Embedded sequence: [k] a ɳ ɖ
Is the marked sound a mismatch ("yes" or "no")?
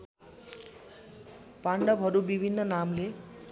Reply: yes